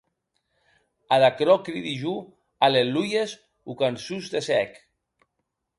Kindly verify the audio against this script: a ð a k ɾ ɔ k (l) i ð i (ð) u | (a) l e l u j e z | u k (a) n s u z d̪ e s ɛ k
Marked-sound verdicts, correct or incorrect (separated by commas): incorrect, incorrect, correct, correct